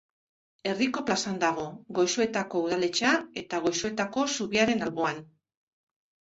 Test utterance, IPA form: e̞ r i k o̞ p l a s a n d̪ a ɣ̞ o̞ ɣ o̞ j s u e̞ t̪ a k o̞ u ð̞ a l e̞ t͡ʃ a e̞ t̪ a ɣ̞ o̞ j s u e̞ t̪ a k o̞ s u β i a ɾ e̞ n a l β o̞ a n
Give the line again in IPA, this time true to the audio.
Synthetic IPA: e̞ r i k o̞ p l a s a n d̪ a ɣ̞ o̞ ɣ o̞ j s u e̞ t̪ a k o̞ u ð̞ a l e̞ t͡ʃ a e̞ t̪ a ɣ̞ o̞ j s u e̞ t̪ a k o̞ s u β i a ɾ e̞ n a l β o̞ a n